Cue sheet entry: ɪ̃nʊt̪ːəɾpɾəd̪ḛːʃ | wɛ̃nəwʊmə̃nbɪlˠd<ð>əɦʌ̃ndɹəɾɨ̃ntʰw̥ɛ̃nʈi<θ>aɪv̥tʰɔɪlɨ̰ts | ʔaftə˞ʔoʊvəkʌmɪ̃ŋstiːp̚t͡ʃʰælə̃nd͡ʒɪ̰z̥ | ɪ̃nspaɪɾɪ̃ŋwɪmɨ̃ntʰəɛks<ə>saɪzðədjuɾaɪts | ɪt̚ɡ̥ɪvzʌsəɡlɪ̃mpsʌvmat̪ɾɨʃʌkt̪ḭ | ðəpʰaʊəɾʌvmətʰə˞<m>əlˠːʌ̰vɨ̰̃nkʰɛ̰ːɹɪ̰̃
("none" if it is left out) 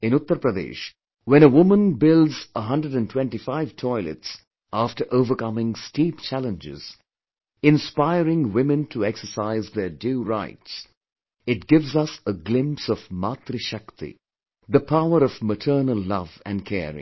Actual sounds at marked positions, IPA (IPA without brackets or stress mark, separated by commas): z, f, ə, n